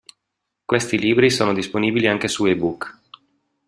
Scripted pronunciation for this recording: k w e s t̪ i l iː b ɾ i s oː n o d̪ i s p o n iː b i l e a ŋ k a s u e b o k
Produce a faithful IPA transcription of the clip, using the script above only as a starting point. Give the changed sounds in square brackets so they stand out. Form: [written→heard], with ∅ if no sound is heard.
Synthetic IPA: k w e s t̪ i l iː b ɾ i s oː n o d̪ i s p o n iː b i l [e→i] a ŋ k [a→e] s u e b [o→u] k